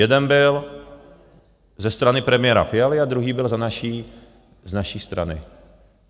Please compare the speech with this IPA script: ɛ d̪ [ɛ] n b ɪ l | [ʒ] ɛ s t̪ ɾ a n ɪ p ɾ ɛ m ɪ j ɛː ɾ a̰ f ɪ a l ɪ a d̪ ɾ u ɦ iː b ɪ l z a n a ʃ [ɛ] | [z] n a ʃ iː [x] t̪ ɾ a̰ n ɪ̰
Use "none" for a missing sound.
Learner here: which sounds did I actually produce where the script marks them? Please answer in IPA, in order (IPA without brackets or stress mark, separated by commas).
ɛ, z, i, z, s